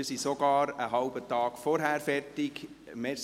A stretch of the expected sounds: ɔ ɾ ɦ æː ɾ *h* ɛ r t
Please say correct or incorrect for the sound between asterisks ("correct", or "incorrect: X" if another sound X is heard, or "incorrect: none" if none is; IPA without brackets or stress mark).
incorrect: f